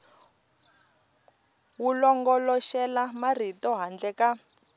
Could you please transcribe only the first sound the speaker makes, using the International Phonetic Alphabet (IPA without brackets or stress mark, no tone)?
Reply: w